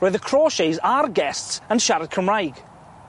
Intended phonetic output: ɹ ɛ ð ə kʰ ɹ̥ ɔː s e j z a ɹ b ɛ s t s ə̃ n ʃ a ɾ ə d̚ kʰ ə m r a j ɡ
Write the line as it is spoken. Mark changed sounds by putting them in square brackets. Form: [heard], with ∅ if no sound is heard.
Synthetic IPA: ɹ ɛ ð ə kʰ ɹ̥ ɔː [ʃ] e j z a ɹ [ɡ] ɛ s t s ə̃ n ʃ a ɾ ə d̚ kʰ ə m [ɹ] a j ɡ